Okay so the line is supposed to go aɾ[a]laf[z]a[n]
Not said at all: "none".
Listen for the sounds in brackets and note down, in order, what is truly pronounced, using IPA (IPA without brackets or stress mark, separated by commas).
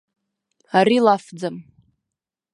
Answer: i, d͡z, m